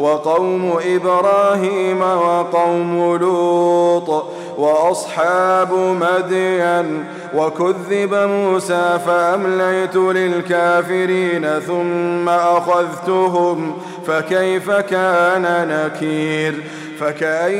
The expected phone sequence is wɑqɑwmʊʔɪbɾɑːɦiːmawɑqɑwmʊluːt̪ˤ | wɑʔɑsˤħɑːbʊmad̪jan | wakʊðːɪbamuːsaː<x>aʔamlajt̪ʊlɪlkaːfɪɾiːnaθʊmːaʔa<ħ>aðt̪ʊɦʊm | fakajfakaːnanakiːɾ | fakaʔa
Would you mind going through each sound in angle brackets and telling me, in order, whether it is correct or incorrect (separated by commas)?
incorrect, incorrect